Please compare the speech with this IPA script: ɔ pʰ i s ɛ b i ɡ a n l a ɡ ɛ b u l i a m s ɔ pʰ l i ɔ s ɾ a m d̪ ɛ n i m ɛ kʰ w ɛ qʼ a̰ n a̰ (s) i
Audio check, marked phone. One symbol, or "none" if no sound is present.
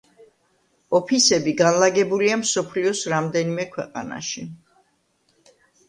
ʃ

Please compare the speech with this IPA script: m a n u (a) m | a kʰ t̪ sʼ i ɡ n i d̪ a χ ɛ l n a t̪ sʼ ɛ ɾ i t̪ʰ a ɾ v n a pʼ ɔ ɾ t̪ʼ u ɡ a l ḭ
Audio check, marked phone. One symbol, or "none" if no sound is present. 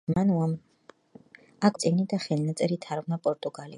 a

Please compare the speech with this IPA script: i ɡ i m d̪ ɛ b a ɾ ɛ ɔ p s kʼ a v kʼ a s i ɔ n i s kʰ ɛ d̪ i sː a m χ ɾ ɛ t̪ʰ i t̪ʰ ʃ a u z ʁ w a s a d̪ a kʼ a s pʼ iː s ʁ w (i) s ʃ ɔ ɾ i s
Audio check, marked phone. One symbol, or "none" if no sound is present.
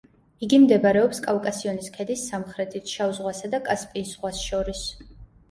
a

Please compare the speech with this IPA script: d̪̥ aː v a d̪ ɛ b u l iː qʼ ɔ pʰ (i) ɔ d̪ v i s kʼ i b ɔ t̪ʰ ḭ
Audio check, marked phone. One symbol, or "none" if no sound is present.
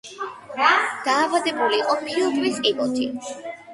i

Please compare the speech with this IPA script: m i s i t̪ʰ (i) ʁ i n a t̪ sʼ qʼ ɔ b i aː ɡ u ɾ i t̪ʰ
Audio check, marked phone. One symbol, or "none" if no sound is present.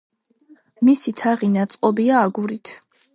a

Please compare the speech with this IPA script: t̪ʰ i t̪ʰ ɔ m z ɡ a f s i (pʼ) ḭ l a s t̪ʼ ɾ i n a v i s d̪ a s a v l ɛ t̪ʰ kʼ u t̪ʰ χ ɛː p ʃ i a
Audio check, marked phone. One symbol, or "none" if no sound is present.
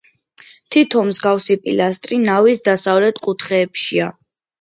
pʼ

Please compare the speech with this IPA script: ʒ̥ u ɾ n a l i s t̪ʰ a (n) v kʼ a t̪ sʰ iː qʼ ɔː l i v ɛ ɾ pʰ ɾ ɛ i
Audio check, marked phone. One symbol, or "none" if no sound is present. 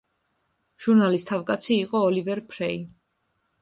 none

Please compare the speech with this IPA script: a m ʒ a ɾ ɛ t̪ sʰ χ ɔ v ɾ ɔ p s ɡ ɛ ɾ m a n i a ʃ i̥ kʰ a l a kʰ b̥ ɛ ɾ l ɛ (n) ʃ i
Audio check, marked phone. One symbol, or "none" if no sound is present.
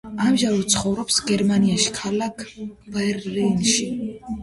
n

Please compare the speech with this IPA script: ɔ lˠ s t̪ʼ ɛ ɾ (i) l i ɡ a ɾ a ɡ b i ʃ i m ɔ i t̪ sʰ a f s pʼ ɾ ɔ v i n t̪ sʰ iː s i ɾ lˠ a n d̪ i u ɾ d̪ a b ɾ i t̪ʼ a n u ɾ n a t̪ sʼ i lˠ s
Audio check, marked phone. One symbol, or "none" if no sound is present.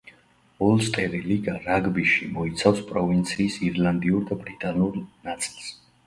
i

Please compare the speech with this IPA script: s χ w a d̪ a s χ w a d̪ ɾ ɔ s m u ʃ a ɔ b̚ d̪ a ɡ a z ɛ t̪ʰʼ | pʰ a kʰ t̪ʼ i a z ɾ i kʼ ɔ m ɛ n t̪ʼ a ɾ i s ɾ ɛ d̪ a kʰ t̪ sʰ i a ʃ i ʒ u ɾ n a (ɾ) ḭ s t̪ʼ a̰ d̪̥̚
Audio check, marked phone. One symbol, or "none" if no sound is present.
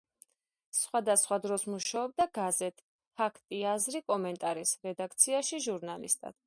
l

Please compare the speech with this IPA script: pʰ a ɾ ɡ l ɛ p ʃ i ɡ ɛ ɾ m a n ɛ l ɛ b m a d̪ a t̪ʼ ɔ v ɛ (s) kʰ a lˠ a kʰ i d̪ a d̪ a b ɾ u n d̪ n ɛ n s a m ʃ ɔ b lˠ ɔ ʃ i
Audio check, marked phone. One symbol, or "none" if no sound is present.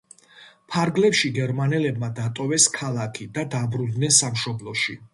s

